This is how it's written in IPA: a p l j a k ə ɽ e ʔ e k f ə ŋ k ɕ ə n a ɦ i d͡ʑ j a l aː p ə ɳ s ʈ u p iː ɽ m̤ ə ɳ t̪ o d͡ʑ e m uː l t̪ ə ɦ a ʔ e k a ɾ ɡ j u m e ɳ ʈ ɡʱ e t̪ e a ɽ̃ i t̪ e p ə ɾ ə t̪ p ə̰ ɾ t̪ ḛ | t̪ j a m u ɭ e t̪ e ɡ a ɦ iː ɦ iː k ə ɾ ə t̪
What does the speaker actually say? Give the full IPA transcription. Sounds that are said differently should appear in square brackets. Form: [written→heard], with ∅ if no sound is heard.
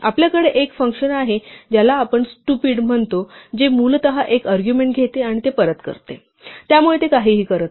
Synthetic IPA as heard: a p l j a k ə ɽ e ʔ e k f ə ŋ k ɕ ə n a ɦ [i→e] d͡ʑ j a l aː p ə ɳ s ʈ u p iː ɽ m̤ ə ɳ t̪ o d͡ʑ e m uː l t̪ ə ɦ a ʔ e k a ɾ ɡ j u m e ɳ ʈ ɡʱ e t̪ e a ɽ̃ i t̪ e p ə ɾ ə t̪ [p→k] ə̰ ɾ t̪ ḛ | t̪ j a m u ɭ e t̪ e [ɡ→k] a ɦ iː ɦ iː k ə ɾ ə t̪

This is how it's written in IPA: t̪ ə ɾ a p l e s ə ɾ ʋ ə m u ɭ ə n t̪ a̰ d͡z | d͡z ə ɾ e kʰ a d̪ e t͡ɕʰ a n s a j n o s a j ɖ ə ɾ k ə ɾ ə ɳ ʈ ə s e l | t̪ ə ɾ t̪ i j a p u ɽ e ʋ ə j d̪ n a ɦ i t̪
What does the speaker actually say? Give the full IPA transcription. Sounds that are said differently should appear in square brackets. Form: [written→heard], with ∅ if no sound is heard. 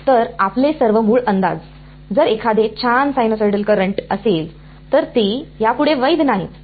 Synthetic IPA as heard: t̪ ə ɾ a p l e s ə ɾ ʋ ə m [u→uː] ɭ ə n [t̪→d̪] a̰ d͡z | d͡z ə ɾ e kʰ a d̪ e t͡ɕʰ a n s a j n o s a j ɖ ə [ɾ→l] k ə ɾ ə ɳ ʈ ə s e l | t̪ ə ɾ t̪ i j a p u ɽ e ʋ ə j d̪ n a ɦ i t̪

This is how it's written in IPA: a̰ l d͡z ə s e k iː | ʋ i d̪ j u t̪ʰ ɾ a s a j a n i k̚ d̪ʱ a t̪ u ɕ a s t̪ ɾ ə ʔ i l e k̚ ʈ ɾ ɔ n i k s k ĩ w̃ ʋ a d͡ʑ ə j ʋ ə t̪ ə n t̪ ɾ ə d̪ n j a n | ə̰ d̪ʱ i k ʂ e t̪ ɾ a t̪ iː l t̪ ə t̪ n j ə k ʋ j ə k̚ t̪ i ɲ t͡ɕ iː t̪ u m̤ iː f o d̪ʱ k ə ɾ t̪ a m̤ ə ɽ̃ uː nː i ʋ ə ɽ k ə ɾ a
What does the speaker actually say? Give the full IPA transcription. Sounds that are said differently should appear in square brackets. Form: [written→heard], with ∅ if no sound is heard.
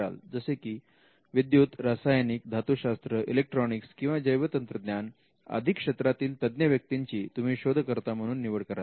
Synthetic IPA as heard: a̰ l d͡z ə s e k iː | ʋ i d̪ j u [t̪ʰ→t̪] ɾ a s a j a n i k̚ d̪ʱ a t̪ u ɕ a s t̪ ɾ ə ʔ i l e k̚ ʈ ɾ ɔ n i k s k ĩ w̃ ʋ a d͡ʑ ə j ʋ ə t̪ ə n t̪ ɾ ə d̪ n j a n | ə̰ d̪ʱ i k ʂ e t̪ ɾ a t̪ iː l t̪ ə [t̪→d̪] n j ə [k→∅] ʋ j ə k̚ t̪ i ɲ t͡ɕ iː t̪ u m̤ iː [f→ɕ] o d̪ʱ k ə ɾ t̪ a m̤ ə ɽ̃ uː nː i ʋ ə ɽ k ə ɾ a

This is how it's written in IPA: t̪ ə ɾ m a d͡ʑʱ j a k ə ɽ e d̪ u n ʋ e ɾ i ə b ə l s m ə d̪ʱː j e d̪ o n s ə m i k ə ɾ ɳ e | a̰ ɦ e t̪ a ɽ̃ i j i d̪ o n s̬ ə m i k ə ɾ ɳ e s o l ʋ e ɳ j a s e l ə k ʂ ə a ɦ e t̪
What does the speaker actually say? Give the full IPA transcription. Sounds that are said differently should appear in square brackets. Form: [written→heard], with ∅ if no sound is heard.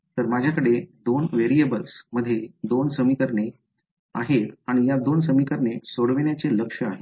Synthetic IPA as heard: t̪ ə ɾ m a d͡ʑʱ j a k ə ɽ e d̪ [u→o] n ʋ e ɾ i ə b ə l s m ə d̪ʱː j e d̪ o n s ə m i k ə ɾ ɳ e | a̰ ɦ e t̪ a ɽ̃ i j [i→a] d̪ o n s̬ ə m i k ə ɾ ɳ e s o [l→ɽ] ʋ e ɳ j a [s→t͡s] e l ə k ʂ ə a ɦ e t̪

